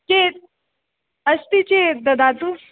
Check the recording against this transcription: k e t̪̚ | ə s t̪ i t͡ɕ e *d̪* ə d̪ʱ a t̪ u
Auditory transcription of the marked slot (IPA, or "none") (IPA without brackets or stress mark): d̪